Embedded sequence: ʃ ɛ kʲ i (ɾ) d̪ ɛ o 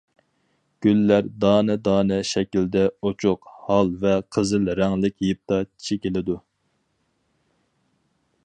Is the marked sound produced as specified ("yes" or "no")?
no